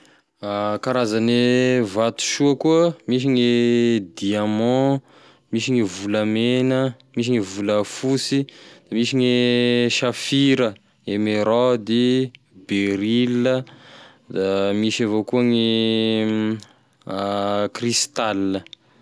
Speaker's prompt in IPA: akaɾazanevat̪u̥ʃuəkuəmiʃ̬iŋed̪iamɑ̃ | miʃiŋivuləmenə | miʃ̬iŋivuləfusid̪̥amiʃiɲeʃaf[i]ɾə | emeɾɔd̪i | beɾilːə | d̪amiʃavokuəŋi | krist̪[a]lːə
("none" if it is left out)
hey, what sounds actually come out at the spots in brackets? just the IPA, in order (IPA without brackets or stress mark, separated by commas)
i, a